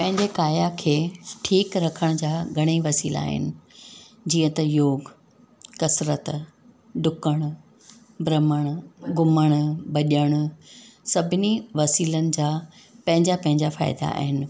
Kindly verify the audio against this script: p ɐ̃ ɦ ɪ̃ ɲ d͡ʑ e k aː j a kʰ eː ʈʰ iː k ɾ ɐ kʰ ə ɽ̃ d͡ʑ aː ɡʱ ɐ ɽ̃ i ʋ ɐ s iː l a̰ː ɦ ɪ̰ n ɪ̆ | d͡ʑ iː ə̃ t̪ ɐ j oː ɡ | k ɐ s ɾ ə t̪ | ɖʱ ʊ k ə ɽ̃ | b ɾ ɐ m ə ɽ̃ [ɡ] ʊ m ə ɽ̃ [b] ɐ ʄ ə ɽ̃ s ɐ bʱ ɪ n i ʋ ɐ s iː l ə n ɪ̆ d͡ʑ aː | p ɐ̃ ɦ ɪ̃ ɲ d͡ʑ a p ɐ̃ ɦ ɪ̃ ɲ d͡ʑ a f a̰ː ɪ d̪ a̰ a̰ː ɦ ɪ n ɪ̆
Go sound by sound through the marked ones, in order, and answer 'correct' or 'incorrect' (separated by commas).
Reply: correct, correct